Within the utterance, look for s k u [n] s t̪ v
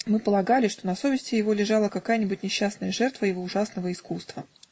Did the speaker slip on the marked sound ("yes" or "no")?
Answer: yes